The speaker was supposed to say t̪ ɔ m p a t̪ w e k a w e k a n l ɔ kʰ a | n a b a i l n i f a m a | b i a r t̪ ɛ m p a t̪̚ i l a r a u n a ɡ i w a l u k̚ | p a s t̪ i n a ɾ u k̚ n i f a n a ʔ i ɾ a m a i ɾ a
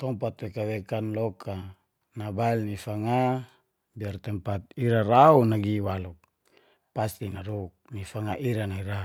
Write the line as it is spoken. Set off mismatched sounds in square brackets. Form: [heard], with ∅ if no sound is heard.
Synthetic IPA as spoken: t̪ ɔ m p a t̪ w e k a w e k a n l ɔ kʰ a | n a b a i l n i f a [ŋ] a | b i a r t̪ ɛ m p a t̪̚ i [ɾ] a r a u n a ɡ i w a l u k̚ | p a s t̪ i n a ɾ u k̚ n i f a [ŋ] a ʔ i ɾ a [n] a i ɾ a